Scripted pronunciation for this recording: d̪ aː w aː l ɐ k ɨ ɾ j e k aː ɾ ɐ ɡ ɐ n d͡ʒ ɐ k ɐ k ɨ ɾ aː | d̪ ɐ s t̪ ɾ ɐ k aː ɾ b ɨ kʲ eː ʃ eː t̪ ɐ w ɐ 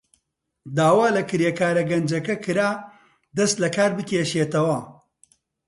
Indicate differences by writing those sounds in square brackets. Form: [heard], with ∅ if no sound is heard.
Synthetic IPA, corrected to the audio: d̪ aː w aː l ɐ k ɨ ɾ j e k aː ɾ ɐ ɡ ɐ n d͡ʒ ɐ k ɐ k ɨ ɾ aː | d̪ ɐ s t̪ [l] ɐ k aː ɾ b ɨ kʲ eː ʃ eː t̪ ɐ w ɐ

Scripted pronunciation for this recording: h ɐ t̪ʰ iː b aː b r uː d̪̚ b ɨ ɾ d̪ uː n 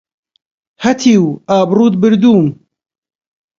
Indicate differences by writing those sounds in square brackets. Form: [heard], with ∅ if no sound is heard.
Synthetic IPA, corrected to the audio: h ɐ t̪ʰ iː [w] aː b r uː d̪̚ b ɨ ɾ d̪ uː [m]

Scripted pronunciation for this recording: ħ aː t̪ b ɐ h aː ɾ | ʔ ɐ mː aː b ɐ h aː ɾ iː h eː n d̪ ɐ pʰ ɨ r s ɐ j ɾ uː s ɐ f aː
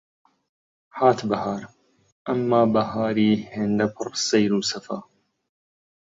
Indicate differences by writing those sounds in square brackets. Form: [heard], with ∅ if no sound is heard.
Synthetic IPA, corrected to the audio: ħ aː t̪ b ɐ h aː ɾ | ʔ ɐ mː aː b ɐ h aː ɾ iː h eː n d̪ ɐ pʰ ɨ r s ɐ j ɾ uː s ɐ f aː

